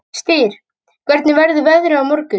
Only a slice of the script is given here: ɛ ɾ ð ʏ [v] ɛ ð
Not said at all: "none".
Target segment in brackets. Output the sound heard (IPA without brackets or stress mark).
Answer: v